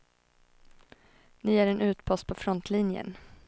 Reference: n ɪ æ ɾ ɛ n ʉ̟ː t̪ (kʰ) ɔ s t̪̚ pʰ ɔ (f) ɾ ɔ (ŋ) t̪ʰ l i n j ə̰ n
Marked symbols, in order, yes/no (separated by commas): no, yes, no